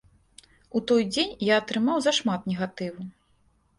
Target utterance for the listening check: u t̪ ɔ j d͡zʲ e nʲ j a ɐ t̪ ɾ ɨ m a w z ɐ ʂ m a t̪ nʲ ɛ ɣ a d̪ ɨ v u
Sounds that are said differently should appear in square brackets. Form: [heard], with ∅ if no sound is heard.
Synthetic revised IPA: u t̪ ɔ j d͡zʲ e nʲ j a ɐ t̪ ɾ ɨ m a w z ɐ ʂ m a t̪ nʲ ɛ ɣ a [t̪] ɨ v u